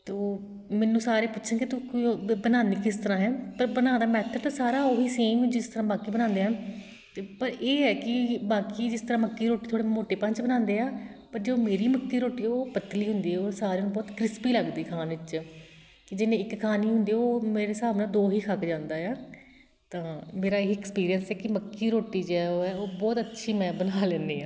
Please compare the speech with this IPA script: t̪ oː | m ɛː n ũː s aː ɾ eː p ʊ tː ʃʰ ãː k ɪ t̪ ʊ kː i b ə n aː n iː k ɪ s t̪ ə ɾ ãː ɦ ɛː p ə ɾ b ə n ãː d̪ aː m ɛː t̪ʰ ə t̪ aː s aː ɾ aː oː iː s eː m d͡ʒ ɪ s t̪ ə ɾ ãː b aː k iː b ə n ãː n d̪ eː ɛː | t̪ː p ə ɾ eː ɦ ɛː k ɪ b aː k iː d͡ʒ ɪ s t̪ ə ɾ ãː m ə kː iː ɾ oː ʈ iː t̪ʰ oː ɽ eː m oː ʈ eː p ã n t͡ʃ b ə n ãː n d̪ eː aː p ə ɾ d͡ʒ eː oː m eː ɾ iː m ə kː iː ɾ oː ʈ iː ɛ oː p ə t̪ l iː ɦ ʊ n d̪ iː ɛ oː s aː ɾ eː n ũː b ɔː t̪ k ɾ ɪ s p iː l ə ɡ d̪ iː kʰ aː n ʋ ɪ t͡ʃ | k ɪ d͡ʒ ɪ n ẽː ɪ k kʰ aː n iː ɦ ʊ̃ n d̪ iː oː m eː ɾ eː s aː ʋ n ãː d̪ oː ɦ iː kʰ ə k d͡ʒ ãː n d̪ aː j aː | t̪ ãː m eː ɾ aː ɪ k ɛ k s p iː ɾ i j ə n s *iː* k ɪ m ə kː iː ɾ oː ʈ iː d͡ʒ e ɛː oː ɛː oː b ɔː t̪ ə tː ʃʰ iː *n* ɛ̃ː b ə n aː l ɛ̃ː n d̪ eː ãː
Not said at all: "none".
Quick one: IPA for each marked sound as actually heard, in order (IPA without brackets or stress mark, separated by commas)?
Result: ɛː, m